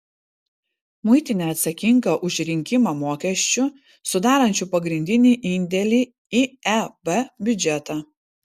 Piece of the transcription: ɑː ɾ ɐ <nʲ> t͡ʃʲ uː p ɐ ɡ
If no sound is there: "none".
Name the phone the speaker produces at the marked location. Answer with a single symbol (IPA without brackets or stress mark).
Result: nʲ